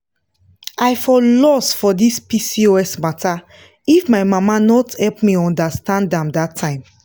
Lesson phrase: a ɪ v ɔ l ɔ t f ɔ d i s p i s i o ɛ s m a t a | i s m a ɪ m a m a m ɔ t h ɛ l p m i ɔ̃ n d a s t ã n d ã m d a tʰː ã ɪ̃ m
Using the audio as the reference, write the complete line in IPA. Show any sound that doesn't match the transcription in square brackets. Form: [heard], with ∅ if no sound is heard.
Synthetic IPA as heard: a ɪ [f] ɔ l ɔ [s] f ɔ d i s p i s i o ɛ s m a t a | i [f] m a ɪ m a m a [n] ɔ t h ɛ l p m i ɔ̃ n d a s t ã n d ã m d a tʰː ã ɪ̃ m